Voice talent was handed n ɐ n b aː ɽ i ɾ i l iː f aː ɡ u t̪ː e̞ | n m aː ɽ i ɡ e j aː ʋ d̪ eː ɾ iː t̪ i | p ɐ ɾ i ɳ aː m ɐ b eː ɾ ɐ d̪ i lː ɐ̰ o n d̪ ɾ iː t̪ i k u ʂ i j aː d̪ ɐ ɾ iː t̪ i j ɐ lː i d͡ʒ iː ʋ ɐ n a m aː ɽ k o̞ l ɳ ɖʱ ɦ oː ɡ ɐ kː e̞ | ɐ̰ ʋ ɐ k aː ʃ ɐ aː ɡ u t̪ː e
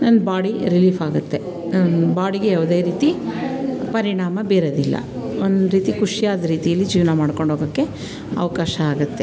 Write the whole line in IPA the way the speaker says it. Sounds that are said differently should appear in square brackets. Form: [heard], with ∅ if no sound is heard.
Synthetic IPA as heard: n ɐ n b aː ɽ i ɾ i l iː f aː ɡ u t̪ː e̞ | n [b] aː ɽ i ɡ e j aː ʋ d̪ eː ɾ iː t̪ i | p ɐ ɾ i ɳ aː m ɐ b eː ɾ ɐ d̪ i lː ɐ̰ o n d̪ ɾ iː t̪ i k u ʂ i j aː d̪ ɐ ɾ iː t̪ i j ɐ lː i d͡ʒ iː ʋ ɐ n a m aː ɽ k o̞ [∅] ɳ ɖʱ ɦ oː ɡ ɐ kː e̞ | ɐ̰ ʋ ɐ k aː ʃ ɐ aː ɡ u t̪ː e